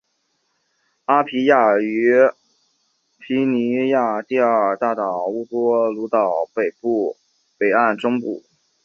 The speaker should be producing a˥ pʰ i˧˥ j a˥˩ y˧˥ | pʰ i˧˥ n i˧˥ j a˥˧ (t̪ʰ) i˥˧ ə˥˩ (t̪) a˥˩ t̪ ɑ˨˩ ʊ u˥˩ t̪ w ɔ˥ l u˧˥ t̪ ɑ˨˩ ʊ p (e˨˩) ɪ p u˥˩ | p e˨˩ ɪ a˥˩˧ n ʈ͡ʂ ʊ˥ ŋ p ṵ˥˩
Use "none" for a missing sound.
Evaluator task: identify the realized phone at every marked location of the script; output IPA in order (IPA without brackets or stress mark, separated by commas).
t̪, t̪, e˨˩